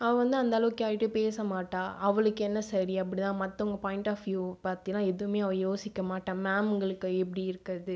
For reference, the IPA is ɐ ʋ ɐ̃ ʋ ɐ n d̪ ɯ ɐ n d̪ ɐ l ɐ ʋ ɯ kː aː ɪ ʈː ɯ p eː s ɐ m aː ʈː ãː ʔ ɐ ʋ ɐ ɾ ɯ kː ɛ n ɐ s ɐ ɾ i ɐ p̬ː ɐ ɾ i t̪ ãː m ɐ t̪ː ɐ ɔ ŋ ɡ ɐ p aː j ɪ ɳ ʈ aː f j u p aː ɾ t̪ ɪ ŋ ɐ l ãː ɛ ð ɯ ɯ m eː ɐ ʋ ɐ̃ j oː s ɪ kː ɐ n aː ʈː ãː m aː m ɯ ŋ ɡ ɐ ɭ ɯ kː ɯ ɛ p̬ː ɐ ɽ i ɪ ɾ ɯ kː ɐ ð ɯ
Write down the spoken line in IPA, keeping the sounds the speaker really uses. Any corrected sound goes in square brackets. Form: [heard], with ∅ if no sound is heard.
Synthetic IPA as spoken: ɐ ʋ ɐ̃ ʋ ɐ n d̪ ɯ ɐ n d̪ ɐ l ɐ ʋ ɯ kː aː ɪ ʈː ɯ p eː s ɐ m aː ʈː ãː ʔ ɐ ʋ ɐ [ɭ] ɯ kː ɛ [nː] ɐ s ɐ ɾ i ɐ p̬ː ɐ [ɽ] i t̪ ãː m ɐ t̪ː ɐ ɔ ŋ ɡ ɐ p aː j ɪ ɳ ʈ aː f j u p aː ɾ t̪ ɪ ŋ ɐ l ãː ɛ ð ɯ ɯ m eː ɐ ʋ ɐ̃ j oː s ɪ kː ɐ [m] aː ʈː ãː m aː m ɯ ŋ ɡ ɐ ɭ ɯ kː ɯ ɛ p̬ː ɐ ɽ i ɪ ɾ ɯ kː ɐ ð ɯ